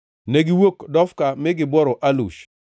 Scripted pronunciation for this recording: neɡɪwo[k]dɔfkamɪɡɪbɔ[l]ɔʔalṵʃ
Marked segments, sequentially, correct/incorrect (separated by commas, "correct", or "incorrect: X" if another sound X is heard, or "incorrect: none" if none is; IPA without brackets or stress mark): correct, incorrect: ɾ